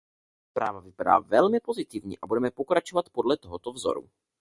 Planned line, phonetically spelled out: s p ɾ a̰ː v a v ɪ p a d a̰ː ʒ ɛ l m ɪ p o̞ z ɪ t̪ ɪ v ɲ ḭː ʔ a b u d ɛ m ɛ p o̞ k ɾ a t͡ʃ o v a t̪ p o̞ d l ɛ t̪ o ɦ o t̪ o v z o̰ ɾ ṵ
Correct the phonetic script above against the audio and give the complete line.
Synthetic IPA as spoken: s p ɾ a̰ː v a v ɪ p a d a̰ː v ɛ l m ɪ p o̞ z ɪ t̪ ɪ v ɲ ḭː ʔ a b u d ɛ m ɛ p o̞ k ɾ a t͡ʃ o v a t̪ p o̞ d l ɛ t̪ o ɦ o t̪ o v z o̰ ɾ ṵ